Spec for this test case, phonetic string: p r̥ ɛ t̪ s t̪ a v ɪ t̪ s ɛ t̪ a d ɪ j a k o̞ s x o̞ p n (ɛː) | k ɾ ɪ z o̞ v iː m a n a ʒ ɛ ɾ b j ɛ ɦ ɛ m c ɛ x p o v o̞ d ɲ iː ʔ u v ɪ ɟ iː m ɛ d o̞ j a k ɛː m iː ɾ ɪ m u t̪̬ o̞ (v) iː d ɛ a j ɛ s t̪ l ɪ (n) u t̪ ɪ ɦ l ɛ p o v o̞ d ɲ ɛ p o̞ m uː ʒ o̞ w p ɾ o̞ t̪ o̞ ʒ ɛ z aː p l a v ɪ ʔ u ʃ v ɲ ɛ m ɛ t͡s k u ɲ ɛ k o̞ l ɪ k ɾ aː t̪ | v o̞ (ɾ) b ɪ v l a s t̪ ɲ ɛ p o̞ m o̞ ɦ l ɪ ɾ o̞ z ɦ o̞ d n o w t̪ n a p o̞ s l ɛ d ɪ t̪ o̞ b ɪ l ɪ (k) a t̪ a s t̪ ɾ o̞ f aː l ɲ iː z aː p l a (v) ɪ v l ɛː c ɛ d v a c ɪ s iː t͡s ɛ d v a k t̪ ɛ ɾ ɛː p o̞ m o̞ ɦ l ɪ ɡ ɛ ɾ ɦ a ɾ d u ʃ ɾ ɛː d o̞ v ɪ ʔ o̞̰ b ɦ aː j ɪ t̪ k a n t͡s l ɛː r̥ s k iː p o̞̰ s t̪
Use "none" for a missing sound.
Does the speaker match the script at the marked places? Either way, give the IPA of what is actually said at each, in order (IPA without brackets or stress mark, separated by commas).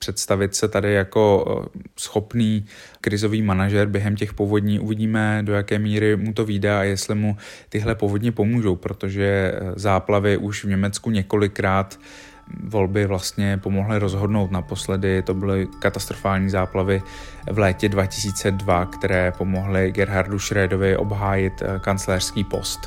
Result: iː, v, m, l, k, v